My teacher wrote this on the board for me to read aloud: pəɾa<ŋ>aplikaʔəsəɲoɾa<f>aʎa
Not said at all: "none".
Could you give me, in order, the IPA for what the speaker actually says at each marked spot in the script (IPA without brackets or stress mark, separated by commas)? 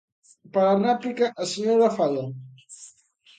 n, f